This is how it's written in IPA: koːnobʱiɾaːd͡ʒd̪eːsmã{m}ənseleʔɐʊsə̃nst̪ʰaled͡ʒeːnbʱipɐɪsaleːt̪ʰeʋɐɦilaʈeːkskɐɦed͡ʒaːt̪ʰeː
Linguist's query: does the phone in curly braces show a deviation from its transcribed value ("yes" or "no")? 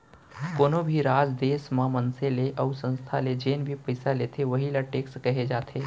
no